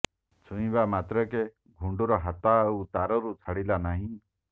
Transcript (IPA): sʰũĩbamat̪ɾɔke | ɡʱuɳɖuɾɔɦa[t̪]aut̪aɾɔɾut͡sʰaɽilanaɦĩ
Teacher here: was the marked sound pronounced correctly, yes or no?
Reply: yes